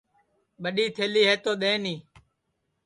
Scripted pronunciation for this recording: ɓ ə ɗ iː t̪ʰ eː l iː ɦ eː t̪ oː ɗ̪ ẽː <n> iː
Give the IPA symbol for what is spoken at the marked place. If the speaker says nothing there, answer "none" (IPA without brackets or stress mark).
n